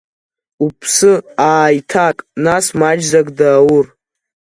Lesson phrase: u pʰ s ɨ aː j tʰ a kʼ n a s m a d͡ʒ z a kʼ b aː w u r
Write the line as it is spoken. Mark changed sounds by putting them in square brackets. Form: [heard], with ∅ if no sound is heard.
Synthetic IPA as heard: u pʰ s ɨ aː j tʰ a kʼ n a s m a d͡ʒ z a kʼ [d] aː w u r